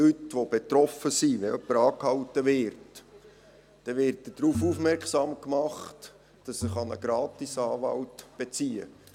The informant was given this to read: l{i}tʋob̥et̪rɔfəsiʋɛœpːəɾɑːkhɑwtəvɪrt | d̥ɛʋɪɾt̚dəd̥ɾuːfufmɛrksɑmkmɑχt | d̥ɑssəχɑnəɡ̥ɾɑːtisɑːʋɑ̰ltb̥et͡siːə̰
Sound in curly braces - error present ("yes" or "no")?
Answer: yes